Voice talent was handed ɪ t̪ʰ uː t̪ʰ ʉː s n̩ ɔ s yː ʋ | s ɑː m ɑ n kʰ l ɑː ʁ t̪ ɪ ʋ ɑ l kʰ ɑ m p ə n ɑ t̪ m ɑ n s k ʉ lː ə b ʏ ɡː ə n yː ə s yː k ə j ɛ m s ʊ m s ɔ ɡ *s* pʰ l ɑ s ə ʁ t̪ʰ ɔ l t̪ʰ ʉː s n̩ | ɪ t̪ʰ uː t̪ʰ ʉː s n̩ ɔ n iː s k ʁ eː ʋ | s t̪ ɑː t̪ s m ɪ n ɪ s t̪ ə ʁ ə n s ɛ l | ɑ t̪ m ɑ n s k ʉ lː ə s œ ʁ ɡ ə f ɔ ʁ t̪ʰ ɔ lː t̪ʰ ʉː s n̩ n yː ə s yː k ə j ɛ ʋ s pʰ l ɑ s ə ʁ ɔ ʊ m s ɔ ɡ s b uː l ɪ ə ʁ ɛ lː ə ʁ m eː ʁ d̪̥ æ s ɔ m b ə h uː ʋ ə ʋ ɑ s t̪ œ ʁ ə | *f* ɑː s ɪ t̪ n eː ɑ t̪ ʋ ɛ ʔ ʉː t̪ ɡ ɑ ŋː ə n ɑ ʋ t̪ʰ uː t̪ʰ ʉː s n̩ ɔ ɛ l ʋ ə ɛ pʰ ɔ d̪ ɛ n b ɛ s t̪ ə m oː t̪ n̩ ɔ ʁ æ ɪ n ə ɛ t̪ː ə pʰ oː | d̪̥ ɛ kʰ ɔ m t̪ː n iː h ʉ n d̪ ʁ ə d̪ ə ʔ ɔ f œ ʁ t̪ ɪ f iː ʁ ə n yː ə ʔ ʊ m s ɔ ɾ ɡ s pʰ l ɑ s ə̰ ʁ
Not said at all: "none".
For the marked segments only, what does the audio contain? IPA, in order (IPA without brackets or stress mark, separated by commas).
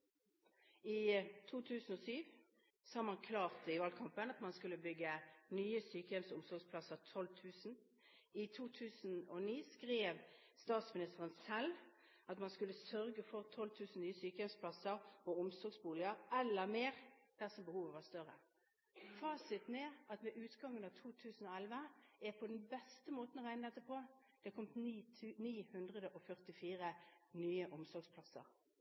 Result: s, f